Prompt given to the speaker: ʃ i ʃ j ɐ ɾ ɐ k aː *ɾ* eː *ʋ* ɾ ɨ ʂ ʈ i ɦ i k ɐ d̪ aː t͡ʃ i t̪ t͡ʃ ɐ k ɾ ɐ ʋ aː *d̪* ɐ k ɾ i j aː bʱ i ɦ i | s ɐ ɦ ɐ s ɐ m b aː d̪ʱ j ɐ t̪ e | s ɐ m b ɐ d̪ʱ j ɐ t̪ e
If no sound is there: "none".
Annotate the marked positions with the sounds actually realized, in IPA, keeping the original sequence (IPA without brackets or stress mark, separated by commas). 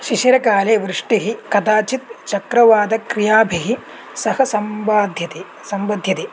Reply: l, ʋ, d̪